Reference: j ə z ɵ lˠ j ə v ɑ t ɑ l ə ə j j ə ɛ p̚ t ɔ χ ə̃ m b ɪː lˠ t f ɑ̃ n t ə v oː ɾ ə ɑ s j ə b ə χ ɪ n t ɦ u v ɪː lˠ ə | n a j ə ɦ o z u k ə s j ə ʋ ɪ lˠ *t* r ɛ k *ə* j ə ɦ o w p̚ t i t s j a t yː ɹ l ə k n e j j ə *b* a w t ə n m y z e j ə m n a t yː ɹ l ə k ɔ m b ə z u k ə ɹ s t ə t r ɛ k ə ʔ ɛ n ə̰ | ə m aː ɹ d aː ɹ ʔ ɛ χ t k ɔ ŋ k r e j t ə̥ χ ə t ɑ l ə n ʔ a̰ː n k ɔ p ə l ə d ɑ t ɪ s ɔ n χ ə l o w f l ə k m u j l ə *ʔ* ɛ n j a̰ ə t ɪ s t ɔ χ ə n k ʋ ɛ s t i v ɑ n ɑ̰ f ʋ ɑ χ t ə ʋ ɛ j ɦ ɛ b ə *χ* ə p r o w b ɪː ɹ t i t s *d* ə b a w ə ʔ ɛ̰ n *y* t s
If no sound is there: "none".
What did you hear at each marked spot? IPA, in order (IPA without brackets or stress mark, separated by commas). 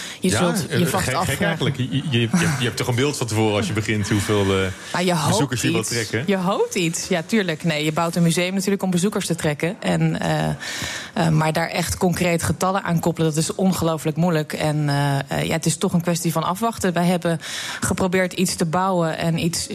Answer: t, ə, b, k, χ, t, i